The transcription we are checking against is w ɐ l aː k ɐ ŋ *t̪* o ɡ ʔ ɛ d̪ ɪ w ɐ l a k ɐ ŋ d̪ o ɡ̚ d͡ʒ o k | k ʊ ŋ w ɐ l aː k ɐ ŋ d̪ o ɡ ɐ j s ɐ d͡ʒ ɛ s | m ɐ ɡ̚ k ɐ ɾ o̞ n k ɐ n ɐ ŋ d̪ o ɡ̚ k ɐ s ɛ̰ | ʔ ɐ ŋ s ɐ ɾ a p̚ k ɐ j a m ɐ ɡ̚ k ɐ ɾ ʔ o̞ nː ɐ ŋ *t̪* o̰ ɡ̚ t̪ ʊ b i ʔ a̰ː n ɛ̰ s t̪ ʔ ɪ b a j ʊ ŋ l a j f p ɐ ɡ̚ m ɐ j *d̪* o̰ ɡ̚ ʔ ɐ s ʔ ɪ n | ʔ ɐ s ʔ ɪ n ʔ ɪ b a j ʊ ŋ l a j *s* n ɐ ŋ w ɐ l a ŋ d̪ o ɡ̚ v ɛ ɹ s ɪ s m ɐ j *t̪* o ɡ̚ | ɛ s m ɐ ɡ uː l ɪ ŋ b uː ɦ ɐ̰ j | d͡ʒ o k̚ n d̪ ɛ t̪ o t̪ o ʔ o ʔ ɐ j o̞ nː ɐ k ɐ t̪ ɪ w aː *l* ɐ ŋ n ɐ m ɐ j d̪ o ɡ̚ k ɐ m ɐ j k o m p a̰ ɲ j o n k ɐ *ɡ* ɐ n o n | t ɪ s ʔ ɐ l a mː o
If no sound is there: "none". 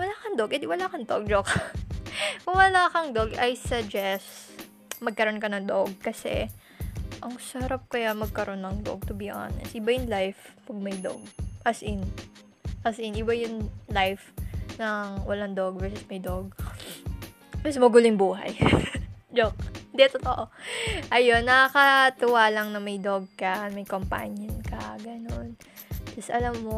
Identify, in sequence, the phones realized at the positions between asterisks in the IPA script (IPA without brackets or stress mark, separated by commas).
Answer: d̪, d̪, d̪, f, d̪, l, ɡ